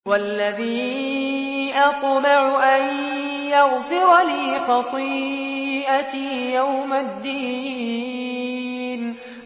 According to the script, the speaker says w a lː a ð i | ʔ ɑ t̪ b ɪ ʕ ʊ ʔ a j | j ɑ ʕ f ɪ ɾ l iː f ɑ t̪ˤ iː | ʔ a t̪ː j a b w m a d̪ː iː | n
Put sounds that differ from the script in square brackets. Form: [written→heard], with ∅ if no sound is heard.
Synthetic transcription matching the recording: w a lː a ð [i→iː] | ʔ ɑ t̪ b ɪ ʕ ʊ ʔ a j | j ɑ [ʕ→ɣ] f ɪ ɾ l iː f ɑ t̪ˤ iː | ʔ a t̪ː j a [b→∅] w m a d̪ː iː | n